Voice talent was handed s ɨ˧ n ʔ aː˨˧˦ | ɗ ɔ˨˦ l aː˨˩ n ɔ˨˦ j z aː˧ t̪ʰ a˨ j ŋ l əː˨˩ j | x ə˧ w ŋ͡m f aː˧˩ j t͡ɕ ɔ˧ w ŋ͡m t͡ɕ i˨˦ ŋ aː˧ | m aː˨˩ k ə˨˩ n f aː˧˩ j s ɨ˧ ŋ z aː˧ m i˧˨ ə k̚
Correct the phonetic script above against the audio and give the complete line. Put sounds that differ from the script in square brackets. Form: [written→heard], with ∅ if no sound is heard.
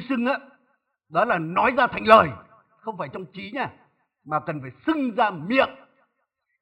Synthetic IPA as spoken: s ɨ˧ [n→ŋ] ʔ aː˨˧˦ | ɗ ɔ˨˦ l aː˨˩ n ɔ˨˦ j z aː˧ t̪ʰ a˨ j ŋ l əː˨˩ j | x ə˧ w ŋ͡m f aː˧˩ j t͡ɕ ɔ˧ w ŋ͡m t͡ɕ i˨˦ [ŋ→ɲ] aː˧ | m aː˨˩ k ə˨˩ n f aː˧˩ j s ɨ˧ ŋ z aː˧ m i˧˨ ə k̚